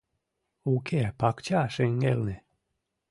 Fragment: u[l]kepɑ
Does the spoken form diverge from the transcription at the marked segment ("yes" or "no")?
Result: yes